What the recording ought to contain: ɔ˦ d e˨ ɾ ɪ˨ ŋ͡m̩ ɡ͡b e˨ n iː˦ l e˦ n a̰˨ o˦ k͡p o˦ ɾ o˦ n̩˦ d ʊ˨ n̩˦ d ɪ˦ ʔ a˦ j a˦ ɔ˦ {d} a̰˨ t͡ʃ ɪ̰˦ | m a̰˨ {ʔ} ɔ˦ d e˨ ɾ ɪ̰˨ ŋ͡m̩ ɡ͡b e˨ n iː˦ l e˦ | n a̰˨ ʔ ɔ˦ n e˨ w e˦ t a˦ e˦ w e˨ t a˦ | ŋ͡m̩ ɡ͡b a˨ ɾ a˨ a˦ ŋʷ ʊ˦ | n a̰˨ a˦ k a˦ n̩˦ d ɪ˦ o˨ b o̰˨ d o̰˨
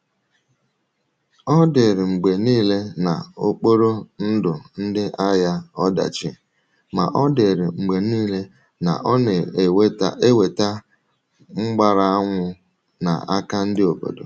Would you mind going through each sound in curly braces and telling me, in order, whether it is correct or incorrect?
correct, correct

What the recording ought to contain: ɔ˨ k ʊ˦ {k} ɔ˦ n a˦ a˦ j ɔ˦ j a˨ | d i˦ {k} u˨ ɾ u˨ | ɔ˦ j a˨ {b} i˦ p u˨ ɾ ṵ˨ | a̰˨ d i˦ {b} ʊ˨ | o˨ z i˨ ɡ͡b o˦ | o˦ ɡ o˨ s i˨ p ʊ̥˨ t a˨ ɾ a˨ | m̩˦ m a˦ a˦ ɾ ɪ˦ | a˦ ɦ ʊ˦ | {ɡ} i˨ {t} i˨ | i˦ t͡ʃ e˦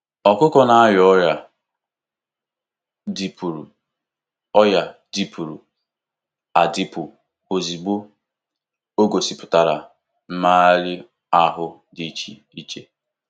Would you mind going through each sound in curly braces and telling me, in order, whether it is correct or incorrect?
correct, incorrect: p, incorrect: d, incorrect: p, incorrect: d, incorrect: t͡ʃ

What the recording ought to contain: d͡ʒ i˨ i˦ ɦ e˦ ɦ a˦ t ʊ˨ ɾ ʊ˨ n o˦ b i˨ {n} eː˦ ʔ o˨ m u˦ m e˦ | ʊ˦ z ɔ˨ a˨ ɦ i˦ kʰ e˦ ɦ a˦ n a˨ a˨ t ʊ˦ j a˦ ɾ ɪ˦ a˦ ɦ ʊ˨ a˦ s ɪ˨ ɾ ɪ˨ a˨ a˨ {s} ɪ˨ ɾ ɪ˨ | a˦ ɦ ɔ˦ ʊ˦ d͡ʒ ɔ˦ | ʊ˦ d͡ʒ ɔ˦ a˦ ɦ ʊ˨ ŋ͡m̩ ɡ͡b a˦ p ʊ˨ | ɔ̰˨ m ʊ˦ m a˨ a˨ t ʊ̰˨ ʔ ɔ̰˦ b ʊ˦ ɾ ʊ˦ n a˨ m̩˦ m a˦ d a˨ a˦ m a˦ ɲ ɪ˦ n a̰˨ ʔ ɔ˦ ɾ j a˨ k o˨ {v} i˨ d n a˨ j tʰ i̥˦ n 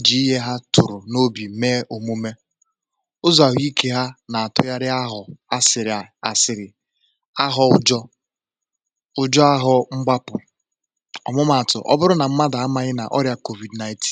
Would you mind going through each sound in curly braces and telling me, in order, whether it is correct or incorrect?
incorrect: m, correct, correct

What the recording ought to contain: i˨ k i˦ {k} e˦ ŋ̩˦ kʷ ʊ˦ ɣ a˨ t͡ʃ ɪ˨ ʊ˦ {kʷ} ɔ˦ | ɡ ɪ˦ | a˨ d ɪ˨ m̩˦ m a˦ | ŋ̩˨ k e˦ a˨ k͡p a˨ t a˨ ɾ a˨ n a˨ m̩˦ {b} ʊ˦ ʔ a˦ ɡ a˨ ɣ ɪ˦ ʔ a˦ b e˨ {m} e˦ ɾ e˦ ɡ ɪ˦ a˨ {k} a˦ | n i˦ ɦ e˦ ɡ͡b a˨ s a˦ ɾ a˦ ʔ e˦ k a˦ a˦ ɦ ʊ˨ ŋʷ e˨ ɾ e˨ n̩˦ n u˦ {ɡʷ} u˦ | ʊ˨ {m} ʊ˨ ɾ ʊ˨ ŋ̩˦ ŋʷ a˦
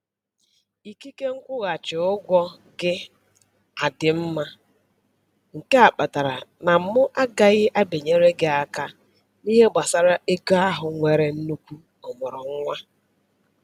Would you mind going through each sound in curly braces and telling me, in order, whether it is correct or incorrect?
correct, incorrect: ɡʷ, incorrect: m, incorrect: ɲ, correct, incorrect: kʷ, correct

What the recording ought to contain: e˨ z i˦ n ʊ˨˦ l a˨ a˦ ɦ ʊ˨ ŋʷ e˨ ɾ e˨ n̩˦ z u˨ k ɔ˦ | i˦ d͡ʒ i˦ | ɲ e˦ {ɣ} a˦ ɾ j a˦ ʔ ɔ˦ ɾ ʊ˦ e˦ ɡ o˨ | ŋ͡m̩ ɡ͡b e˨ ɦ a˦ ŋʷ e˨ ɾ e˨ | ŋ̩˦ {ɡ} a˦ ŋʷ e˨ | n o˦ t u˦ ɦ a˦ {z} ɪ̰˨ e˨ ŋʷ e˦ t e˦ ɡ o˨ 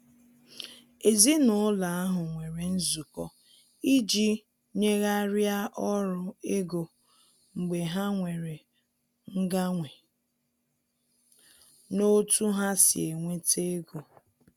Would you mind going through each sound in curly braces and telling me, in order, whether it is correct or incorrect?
correct, correct, incorrect: s

